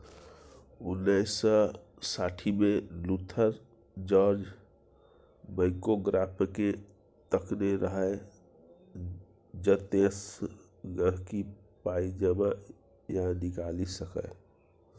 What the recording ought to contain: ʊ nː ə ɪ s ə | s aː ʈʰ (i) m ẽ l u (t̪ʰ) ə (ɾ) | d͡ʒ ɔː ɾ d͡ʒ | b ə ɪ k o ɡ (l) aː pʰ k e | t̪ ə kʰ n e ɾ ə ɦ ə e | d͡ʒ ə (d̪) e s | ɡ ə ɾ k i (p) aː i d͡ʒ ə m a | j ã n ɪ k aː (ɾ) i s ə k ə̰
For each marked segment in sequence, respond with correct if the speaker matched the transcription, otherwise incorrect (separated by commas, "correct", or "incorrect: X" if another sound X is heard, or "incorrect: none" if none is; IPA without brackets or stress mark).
correct, correct, correct, incorrect: ɾ, incorrect: t̪, correct, incorrect: l